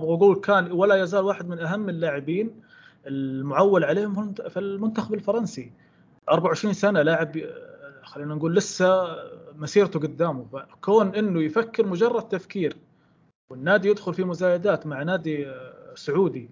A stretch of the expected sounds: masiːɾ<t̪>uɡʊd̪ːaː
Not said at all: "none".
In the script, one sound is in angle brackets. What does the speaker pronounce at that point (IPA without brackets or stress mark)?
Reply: t̪